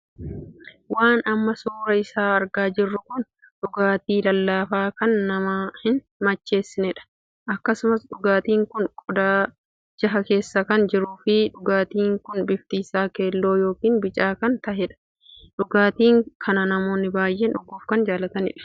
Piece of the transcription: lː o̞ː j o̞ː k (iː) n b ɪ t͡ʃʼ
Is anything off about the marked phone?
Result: no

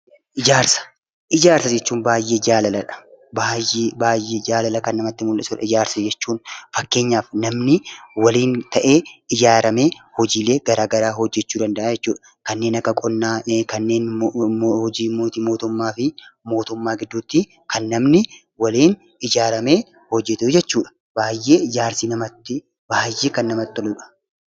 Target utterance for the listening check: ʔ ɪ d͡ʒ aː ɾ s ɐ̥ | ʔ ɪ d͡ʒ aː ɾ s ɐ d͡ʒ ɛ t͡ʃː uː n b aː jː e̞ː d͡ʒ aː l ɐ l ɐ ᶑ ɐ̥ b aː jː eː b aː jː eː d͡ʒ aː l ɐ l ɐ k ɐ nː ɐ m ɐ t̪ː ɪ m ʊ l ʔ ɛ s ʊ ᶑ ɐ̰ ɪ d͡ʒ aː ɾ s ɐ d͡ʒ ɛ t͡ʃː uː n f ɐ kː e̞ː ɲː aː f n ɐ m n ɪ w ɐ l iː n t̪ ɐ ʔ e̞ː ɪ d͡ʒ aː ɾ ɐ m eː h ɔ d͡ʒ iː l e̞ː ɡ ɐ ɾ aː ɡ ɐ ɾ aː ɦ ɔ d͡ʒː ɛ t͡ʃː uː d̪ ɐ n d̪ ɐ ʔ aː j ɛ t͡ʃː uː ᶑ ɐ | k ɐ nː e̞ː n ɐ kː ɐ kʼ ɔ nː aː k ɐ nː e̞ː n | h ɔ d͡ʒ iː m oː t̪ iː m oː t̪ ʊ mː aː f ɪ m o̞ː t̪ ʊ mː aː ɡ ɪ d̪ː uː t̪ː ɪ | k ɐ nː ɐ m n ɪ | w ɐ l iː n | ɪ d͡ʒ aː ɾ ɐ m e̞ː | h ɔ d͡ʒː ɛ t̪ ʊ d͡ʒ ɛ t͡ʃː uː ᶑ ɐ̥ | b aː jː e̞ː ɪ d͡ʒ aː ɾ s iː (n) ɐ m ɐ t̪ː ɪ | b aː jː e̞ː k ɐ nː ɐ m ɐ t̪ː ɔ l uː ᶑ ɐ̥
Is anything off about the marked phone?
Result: no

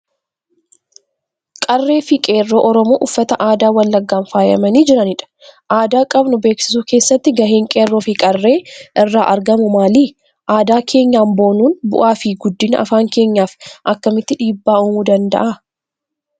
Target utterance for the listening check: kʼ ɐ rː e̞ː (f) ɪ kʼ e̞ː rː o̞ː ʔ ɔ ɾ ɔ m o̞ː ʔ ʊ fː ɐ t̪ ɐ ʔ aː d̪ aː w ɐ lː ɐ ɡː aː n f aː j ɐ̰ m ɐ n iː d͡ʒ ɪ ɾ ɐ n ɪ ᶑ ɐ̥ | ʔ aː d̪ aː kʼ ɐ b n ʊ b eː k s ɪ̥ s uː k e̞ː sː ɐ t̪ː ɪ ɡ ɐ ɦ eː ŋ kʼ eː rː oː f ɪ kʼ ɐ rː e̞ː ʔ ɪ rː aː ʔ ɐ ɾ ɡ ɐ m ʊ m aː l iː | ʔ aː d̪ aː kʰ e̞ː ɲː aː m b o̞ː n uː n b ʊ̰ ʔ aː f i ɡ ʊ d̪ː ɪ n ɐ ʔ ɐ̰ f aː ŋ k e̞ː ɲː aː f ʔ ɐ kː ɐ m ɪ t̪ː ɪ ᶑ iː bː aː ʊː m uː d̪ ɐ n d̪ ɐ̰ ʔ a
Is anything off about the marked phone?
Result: no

